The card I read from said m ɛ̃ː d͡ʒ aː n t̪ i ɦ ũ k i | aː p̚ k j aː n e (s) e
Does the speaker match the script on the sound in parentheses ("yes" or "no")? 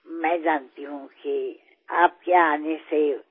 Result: yes